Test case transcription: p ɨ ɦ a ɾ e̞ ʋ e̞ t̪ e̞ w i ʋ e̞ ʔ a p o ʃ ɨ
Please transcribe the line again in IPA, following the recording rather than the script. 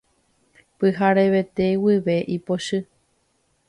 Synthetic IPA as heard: p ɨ ɦ a ɾ e̞ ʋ e̞ t̪ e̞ w i ʋ e̞ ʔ i p o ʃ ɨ